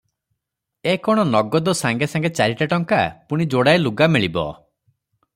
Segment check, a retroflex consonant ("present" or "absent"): present